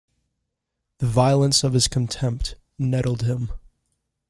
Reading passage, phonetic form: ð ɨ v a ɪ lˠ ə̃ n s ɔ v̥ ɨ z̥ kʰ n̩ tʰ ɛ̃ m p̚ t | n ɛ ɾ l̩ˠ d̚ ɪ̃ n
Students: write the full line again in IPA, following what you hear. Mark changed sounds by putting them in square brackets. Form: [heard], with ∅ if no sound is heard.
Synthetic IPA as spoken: ð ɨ v a ɪ lˠ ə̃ n s [ʌ] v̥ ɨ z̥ kʰ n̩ tʰ ɛ̃ m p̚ t | n ɛ ɾ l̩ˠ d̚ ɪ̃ [m]